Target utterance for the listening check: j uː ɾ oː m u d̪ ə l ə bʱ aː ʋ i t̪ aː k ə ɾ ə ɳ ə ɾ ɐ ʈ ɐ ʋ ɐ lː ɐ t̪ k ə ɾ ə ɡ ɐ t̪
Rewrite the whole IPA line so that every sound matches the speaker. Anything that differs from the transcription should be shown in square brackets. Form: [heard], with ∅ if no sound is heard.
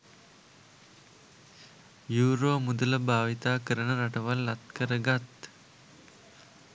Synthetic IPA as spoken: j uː ɾ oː m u d̪ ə l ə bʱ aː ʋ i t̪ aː k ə ɾ ə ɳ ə ɾ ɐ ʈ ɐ ʋ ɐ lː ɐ t̪ k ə ɾ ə ɡ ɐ t̪